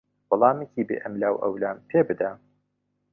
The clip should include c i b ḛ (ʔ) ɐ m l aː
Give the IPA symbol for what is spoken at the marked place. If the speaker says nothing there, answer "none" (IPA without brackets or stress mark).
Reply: ʔ